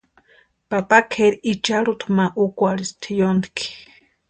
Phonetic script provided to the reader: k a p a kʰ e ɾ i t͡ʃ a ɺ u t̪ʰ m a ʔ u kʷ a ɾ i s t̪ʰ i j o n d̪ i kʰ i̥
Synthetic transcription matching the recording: p a p a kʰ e ɾ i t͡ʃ a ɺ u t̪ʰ m a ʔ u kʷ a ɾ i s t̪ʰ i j o n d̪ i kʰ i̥